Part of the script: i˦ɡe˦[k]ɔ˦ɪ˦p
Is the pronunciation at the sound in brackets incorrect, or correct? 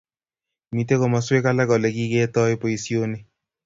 incorrect